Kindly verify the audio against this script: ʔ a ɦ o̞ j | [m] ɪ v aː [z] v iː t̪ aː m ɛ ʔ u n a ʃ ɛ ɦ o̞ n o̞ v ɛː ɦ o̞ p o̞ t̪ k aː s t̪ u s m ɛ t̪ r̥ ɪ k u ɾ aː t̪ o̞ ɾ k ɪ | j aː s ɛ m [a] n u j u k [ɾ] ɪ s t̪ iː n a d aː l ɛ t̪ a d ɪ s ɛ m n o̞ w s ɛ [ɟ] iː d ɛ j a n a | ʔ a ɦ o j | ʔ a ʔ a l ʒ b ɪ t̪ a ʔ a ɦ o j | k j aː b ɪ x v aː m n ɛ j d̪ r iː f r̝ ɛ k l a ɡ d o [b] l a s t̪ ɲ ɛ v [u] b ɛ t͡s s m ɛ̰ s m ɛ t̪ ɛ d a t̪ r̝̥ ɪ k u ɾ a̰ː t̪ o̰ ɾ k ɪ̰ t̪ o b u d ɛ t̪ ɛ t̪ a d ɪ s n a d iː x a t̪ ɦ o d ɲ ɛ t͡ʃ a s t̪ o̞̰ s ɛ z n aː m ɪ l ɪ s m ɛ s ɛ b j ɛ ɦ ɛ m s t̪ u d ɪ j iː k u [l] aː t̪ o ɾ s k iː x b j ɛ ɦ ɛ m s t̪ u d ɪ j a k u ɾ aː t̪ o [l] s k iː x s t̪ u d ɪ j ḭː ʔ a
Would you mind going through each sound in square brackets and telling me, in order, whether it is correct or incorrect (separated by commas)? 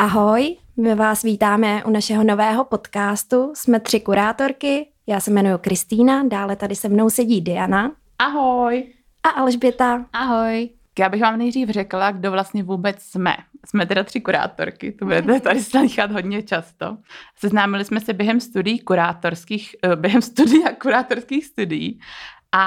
correct, incorrect, incorrect, correct, correct, incorrect, incorrect, incorrect, incorrect